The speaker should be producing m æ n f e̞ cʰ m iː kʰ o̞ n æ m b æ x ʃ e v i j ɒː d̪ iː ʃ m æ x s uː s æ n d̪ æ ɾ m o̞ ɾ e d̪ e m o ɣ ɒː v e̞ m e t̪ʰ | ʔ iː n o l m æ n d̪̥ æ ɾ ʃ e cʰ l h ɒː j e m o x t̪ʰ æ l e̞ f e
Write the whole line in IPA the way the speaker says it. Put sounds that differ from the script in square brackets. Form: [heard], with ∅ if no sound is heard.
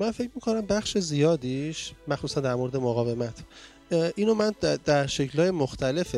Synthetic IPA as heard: m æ n f e̞ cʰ m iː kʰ o̞ n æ m b æ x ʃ e [z] i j ɒː d̪ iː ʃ m æ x s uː s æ n d̪ æ ɾ m o̞ ɾ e d̪ e m o ɣ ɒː v e̞ m [æ] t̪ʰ | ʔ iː n o [∅] m æ n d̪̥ æ ɾ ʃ e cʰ l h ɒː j e m o x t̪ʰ æ l e̞ f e